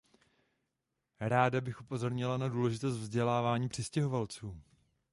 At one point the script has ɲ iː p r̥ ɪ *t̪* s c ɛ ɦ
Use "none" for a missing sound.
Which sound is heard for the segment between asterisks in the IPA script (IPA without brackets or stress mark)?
none